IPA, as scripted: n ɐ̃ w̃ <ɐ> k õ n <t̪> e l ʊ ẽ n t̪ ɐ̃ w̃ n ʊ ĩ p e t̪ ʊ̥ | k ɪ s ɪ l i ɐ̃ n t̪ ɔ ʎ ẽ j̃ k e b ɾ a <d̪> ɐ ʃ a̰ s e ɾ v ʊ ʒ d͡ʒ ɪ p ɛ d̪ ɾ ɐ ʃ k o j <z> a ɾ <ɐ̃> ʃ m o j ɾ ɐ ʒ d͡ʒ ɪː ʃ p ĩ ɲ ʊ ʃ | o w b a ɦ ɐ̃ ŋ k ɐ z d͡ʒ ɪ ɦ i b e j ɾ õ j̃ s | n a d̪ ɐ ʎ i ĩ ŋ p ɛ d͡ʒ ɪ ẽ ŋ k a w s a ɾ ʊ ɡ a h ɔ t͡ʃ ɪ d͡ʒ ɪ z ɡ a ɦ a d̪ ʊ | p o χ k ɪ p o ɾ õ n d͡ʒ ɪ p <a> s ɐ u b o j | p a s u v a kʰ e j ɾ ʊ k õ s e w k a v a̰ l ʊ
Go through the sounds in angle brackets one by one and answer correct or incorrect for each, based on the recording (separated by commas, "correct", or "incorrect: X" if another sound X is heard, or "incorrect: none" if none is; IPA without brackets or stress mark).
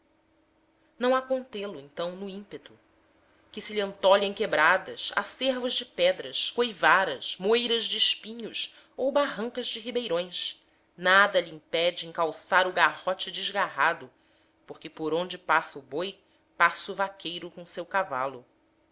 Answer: incorrect: a, correct, correct, incorrect: v, incorrect: ɐ, correct